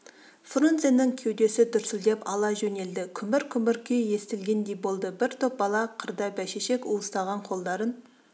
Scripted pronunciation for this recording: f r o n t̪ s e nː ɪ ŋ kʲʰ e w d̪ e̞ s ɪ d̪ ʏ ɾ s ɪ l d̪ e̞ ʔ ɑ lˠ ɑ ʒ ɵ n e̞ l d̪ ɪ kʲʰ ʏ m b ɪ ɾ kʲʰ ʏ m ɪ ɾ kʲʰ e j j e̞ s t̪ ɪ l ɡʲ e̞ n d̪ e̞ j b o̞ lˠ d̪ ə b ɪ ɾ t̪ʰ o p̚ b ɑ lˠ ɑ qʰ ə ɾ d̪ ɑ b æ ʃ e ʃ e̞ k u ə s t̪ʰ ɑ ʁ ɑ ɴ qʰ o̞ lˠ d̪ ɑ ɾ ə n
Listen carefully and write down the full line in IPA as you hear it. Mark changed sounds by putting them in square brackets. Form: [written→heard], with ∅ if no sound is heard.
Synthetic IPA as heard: f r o n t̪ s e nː ɪ ŋ kʲʰ e w d̪ e̞ s ɪ d̪ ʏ ɾ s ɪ l d̪ e̞ [ʔ→p] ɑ lˠ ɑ ʒ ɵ n e̞ l d̪ ɪ kʲʰ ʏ m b ɪ ɾ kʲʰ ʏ m ɪ ɾ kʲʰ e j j e̞ s t̪ ɪ l ɡʲ e̞ n d̪ e̞ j b o̞ lˠ d̪ ə b ɪ ɾ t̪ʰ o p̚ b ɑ lˠ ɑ qʰ ə ɾ d̪ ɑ b æ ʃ e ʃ e̞ k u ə s [t̪ʰ→t̪] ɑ ʁ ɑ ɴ qʰ o̞ lˠ d̪ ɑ ɾ ə n

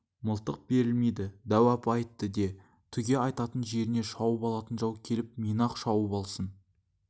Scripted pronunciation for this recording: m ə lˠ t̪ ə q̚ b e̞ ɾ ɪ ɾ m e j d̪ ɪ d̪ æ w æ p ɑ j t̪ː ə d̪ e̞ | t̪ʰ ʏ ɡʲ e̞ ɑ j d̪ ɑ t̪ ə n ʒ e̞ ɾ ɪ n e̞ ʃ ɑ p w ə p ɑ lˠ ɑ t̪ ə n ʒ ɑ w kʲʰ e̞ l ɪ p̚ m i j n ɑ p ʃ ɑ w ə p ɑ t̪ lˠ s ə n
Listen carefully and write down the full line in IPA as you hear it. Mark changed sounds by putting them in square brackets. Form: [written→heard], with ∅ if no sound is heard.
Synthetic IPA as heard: m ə lˠ t̪ ə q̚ b e̞ ɾ ɪ [ɾ→l] m e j d̪ ɪ d̪ æ w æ p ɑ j t̪ː ə d̪ e̞ | t̪ʰ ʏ ɡʲ e̞ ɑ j [d̪→t̪] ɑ t̪ ə n ʒ e̞ ɾ ɪ n e̞ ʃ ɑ [p→∅] w ə p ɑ lˠ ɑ t̪ ə n ʒ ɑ w kʲʰ e̞ l ɪ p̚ m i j n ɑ [p→q] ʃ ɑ w ə p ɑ [t̪→∅] lˠ s ə n

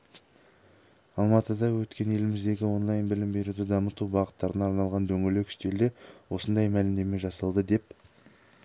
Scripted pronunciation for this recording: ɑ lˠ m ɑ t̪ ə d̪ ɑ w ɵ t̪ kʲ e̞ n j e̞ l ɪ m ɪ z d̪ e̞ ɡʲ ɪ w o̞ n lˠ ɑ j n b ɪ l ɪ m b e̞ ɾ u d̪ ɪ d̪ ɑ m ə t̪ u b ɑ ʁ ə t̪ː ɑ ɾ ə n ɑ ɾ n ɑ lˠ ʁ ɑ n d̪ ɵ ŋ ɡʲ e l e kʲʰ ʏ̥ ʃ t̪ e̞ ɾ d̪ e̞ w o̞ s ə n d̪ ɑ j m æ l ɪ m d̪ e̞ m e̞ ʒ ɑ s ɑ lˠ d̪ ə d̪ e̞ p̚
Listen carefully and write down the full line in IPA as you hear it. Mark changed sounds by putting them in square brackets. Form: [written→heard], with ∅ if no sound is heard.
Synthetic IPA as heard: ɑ lˠ m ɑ t̪ ə d̪ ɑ w ɵ t̪ kʲ e̞ n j e̞ l ɪ m ɪ z d̪ e̞ ɡʲ ɪ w o̞ n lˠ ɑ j n b ɪ l ɪ m b e̞ ɾ u d̪ ɪ d̪ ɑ m ə t̪ u b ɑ ʁ ə t̪ː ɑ ɾ ə n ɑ ɾ n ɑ lˠ ʁ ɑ n d̪ ɵ ŋ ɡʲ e l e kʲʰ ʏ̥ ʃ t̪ e̞ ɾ d̪ e̞ w o̞ s ə n d̪ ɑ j m æ l ɪ m d̪ e̞ m e̞ ʒ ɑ s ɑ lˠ d̪ ə d̪ e̞ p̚

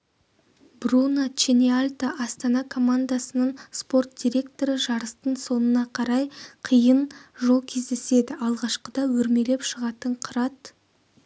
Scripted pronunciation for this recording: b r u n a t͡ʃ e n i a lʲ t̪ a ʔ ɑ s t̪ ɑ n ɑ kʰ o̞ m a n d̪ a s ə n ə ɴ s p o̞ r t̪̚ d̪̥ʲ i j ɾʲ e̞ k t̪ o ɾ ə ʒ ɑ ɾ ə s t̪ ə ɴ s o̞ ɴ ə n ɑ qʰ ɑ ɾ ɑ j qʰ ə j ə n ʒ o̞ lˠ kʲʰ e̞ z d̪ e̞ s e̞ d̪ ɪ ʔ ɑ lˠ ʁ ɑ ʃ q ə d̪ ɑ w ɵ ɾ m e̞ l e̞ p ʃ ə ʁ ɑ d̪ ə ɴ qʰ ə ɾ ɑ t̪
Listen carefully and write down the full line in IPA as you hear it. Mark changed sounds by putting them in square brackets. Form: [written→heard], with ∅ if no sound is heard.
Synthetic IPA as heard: b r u n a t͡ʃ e n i a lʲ t̪ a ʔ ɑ s t̪ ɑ n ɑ kʰ o̞ m a n d̪ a s ə n ə ɴ s p o̞ r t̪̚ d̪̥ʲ i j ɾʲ e̞ k t̪ o ɾ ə ʒ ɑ ɾ ə s t̪ ə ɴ s o̞ [ɴ→n] ə n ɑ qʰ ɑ ɾ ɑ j qʰ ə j ə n ʒ o̞ lˠ kʲʰ e̞ z d̪ e̞ s e̞ d̪ ɪ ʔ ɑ lˠ ʁ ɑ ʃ q ə d̪ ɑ w ɵ ɾ m e̞ l e̞ p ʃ ə ʁ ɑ [d̪→t̪] ə ɴ qʰ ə ɾ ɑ t̪

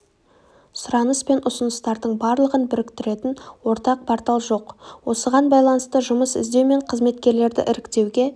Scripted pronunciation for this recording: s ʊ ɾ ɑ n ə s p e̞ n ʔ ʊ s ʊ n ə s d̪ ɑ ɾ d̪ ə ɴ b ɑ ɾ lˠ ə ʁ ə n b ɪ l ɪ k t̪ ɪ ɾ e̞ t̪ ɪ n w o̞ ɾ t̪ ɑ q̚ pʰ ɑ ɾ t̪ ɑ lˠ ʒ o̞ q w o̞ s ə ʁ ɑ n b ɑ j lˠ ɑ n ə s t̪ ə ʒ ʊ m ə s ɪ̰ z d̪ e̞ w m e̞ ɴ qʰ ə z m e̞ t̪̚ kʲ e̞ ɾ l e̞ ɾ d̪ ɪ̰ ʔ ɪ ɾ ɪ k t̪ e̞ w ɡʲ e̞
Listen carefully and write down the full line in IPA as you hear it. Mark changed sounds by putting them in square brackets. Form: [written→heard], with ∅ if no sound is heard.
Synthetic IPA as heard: s ʊ ɾ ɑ n ə s p e̞ n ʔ ʊ s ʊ n ə s [d̪→t̪] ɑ ɾ d̪ ə ɴ b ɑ ɾ lˠ ə ʁ ə n b ɪ [l→ɾ] ɪ k t̪ ɪ ɾ e̞ t̪ ɪ n w o̞ ɾ t̪ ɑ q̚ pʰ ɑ ɾ t̪ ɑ lˠ ʒ o̞ q w o̞ s ə ʁ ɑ n b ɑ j lˠ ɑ n ə s t̪ ə ʒ ʊ m ə s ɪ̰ z d̪ e̞ w m e̞ ɴ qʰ ə z m e̞ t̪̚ kʲ e̞ ɾ l e̞ ɾ d̪ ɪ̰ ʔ ɪ ɾ ɪ k t̪ e̞ w ɡʲ e̞

